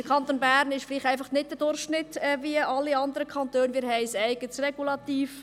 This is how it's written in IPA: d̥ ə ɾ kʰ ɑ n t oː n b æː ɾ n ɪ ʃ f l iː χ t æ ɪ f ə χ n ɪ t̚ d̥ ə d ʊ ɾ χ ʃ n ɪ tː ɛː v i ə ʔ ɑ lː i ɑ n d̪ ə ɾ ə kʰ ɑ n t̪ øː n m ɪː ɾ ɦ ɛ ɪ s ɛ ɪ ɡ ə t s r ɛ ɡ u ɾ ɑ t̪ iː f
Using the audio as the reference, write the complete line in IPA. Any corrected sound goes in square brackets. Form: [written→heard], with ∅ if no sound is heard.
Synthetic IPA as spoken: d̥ ə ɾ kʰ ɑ n t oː n b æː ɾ n ɪ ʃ f l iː χ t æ ɪ f [ə→ɑ] χ n ɪ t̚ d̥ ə d ʊ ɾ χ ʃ n ɪ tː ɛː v i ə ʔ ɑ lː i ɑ n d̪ ə ɾ ə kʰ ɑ n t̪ øː n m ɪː ɾ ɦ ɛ ɪ s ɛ ɪ ɡ ə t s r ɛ ɡ u [ɾ→l] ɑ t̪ iː f